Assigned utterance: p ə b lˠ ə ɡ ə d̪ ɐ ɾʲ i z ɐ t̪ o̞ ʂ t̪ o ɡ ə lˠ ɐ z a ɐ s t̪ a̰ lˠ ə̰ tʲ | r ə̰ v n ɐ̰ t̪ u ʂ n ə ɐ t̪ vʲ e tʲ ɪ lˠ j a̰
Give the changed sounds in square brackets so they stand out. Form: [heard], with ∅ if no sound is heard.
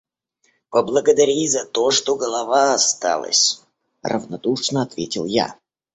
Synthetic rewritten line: p ə b lˠ ə ɡ ə d̪ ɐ ɾʲ i z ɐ t̪ o̞ ʂ t̪ o ɡ ə lˠ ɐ [v] a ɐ s t̪ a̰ lˠ ə̰ [sʲ] | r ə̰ v n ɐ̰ [d̪] u ʂ n ə ɐ t̪ vʲ e tʲ ɪ lˠ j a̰